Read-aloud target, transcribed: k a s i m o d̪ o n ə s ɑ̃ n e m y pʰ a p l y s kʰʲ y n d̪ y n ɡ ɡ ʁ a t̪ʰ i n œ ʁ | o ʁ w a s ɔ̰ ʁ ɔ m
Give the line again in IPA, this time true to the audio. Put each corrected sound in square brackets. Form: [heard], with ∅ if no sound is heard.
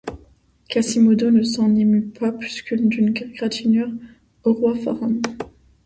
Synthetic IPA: k a s i m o d̪ o n ə s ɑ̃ n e m y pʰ a p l y s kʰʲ y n d̪ y n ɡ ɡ ʁ a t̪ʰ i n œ ʁ | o ʁ w a [f] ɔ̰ ʁ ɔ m